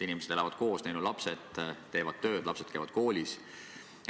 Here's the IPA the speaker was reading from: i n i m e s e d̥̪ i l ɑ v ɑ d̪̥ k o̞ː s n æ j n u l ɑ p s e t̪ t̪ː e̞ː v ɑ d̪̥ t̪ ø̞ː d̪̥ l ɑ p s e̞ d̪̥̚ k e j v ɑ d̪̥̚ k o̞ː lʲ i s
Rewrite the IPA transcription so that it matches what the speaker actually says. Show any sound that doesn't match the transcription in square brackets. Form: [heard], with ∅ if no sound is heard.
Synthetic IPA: i n i m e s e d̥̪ [e] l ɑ v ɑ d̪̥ k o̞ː s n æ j n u l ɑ p s e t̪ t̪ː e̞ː v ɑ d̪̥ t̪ ø̞ː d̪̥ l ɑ p s e̞ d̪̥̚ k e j v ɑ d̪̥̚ k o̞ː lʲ i s